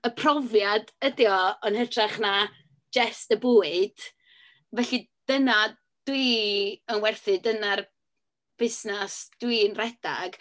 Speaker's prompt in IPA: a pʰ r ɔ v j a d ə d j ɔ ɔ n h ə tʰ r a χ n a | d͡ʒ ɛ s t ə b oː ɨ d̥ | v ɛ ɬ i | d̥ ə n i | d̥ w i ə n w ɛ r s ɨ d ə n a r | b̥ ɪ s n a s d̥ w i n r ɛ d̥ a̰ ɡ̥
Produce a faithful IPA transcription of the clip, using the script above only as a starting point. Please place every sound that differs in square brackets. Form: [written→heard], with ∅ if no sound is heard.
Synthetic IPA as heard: [a→ə] pʰ r ɔ v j a d ə d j ɔ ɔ n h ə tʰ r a χ n a | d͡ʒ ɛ s t ə b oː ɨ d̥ | v ɛ ɬ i | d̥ ə n [i→a] | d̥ w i ə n w ɛ r [s→θ] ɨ d ə n a r | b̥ ɪ s n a s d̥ w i n r ɛ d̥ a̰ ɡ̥